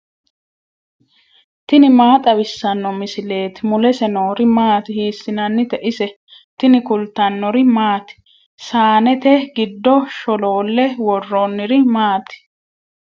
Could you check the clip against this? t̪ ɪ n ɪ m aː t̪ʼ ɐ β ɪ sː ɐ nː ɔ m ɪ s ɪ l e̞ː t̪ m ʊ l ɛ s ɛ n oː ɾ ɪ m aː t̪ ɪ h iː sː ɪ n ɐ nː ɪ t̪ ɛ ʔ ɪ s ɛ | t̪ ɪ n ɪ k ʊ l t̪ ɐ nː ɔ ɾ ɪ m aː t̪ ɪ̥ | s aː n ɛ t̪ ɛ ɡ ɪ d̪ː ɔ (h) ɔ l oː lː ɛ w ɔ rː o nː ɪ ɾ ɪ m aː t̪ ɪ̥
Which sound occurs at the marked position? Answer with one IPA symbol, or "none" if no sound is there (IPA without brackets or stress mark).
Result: ʃ